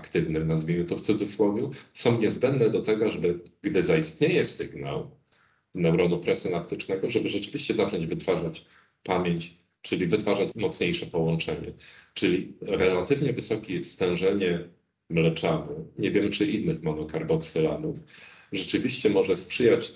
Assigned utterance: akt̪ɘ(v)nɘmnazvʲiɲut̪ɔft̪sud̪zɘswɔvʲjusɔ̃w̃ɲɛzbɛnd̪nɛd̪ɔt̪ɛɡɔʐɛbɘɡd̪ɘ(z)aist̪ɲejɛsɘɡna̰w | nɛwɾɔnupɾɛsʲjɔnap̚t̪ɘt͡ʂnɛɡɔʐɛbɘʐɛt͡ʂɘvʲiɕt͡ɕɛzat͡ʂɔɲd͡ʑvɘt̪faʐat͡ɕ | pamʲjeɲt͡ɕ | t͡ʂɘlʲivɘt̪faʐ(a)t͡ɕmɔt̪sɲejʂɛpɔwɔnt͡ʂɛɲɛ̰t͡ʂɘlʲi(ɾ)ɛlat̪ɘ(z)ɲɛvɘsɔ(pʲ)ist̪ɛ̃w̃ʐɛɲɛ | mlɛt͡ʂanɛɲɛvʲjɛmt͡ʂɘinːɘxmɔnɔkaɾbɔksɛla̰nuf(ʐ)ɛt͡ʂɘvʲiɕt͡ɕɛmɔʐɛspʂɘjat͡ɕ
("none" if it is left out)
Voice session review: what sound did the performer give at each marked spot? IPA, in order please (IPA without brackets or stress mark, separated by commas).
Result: v, z, a, ɾ, v, kʲ, ʐ